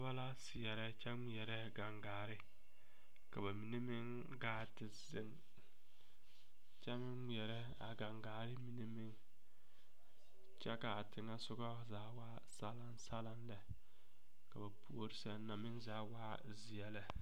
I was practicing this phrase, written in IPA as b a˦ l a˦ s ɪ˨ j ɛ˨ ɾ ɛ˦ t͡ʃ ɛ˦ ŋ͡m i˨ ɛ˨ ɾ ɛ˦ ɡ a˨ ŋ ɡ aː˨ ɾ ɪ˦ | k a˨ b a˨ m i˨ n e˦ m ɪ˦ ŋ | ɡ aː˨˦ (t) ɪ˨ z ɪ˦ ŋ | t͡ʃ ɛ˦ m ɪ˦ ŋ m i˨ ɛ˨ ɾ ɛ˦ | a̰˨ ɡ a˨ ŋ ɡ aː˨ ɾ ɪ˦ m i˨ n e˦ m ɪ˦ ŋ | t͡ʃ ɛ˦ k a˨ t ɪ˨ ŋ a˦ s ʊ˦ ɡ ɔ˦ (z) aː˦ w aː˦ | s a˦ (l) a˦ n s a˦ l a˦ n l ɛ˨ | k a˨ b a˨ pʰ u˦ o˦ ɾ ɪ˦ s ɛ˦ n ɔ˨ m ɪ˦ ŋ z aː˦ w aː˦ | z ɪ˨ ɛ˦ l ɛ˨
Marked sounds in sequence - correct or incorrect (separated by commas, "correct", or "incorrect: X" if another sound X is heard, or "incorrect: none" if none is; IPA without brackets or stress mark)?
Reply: correct, correct, correct